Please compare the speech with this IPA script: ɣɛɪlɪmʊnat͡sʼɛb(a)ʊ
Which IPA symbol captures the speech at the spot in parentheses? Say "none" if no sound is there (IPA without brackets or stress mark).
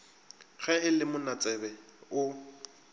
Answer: ɛ